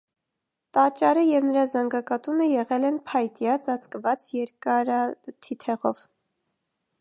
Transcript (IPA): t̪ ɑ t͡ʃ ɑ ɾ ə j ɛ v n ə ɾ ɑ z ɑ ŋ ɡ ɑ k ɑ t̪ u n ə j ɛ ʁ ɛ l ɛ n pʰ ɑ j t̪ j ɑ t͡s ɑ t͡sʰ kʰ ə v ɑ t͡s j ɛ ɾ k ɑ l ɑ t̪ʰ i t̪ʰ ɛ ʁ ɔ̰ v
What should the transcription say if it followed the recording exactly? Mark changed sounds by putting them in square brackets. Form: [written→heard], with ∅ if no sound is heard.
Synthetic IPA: t̪ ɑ t͡ʃ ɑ ɾ ə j ɛ v n ə ɾ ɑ z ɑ ŋ ɡ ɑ k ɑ t̪ u n ə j ɛ ʁ ɛ l ɛ n pʰ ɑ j t̪ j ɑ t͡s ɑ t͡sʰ [kʰ→k] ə v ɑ t͡s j ɛ ɾ k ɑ [l→ɾ] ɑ t̪ʰ i t̪ʰ ɛ ʁ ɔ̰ v